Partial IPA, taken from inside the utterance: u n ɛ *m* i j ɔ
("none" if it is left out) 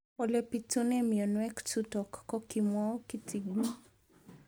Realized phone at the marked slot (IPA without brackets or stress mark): m